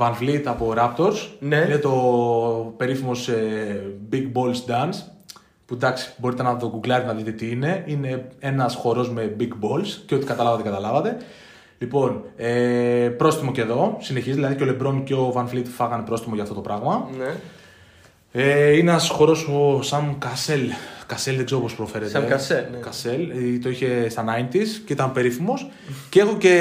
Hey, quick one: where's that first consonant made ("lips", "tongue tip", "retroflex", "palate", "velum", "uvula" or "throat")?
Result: lips